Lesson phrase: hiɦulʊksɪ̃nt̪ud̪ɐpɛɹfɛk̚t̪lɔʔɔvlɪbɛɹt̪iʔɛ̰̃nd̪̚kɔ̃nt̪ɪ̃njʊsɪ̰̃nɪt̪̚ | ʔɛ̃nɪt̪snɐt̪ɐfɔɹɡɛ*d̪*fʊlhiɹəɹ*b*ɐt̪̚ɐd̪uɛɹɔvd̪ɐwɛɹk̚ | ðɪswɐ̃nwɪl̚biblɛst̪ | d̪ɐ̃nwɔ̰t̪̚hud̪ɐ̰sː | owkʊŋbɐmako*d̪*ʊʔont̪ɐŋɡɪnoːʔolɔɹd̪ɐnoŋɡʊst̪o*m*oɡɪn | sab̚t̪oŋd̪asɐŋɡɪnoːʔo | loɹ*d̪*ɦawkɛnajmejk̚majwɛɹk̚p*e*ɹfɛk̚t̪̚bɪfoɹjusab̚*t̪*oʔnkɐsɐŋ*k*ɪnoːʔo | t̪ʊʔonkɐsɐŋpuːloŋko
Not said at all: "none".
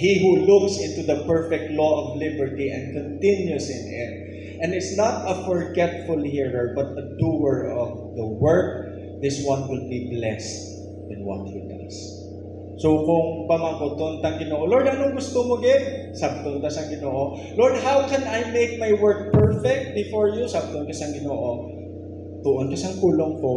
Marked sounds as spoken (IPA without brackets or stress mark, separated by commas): t̪, b, t̪, m, d̪, ɛ, t̪, ɡ